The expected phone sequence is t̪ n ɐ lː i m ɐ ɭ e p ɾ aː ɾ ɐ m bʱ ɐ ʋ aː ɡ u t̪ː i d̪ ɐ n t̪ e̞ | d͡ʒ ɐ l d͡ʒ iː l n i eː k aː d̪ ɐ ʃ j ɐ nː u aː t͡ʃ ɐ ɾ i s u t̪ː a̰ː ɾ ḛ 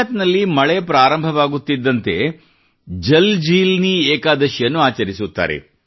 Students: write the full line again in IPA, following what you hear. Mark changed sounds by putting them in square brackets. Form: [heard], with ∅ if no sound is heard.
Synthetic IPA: t̪ n ɐ lː i m ɐ ɭ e p ɾ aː ɾ ɐ m bʱ ɐ ʋ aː ɡ u t̪ː i [d̪ː] ɐ n t̪ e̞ | d͡ʒ ɐ l d͡ʒ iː l n i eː k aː d̪ ɐ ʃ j ɐ nː u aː t͡ʃ ɐ ɾ i s u t̪ː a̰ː ɾ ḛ